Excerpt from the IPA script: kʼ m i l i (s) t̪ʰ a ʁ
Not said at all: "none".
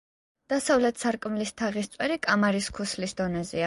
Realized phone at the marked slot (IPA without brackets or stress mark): s